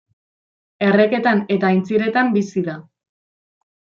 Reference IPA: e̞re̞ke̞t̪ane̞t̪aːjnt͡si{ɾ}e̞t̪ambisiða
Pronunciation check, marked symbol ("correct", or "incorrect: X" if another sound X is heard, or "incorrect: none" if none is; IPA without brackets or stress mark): correct